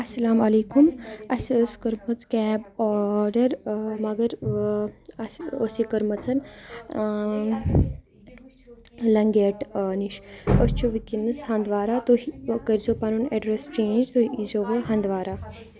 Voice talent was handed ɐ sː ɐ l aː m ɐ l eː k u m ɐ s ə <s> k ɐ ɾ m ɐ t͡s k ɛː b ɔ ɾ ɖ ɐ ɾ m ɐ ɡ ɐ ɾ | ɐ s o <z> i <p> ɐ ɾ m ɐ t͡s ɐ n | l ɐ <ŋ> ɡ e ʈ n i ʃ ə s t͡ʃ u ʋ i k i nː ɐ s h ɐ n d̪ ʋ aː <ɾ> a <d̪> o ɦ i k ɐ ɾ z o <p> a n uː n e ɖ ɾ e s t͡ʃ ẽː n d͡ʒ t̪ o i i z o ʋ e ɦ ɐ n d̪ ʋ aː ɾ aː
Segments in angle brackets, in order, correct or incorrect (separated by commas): correct, incorrect, incorrect, correct, correct, incorrect, correct